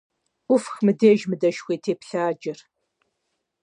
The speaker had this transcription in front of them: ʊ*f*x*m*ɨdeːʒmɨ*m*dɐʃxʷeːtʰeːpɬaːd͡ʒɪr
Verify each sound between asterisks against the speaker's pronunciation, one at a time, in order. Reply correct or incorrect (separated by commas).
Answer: correct, correct, incorrect